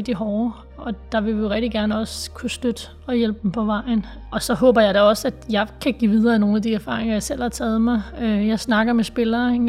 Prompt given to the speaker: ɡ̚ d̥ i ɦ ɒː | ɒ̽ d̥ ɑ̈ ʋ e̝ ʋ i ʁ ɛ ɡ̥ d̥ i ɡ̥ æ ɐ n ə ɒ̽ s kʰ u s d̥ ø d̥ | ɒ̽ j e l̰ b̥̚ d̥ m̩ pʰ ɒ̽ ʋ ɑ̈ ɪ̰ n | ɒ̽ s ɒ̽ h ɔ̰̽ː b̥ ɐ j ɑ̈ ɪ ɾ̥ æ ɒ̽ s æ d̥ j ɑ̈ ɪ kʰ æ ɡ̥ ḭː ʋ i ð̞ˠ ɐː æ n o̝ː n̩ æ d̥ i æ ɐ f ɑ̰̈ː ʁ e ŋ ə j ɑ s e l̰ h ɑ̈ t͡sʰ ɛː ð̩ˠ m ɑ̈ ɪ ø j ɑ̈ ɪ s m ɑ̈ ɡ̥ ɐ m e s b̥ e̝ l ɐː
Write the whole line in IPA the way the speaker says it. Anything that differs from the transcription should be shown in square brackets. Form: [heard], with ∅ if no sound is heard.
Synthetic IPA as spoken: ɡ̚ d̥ i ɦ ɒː | ɒ̽ d̥ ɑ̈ ʋ e̝ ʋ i ʁ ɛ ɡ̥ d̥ i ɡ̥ æ ɐ n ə ɒ̽ s kʰ u s d̥ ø d̥ | ɒ̽ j e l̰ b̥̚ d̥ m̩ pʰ ɒ̽ ʋ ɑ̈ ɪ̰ n | ɒ̽ s ɒ̽ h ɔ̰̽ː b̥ ɐ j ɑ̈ ɪ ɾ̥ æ ɒ̽ s æ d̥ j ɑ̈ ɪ kʰ æ ɡ̥ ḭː ʋ i ð̞ˠ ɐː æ n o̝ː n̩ æ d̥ i æ ɐ f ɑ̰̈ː ʁ e ŋ [ɐ] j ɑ s e l̰ h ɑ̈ t͡sʰ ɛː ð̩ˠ m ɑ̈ ɪ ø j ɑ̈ ɪ s [n] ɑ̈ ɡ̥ ɐ m e s b̥ e̝ l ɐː